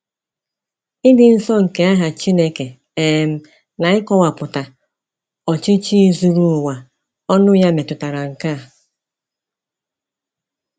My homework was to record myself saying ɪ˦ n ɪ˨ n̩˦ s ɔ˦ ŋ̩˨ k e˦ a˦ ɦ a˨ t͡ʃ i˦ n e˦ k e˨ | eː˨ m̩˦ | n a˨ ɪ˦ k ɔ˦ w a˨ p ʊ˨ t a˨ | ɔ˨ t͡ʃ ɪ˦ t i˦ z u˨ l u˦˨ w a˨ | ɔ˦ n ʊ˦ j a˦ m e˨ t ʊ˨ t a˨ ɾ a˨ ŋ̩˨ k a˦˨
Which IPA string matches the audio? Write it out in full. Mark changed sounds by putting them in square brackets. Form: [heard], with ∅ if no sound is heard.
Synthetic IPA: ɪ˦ [d] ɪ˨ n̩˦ s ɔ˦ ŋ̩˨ k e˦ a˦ ɦ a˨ t͡ʃ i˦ n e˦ k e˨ | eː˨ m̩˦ | n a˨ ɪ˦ k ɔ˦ w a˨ p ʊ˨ t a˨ | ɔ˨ t͡ʃ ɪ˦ [t͡ʃ] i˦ z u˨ [ɾ] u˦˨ w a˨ | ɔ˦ n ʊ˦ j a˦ m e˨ t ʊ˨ t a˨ ɾ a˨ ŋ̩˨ k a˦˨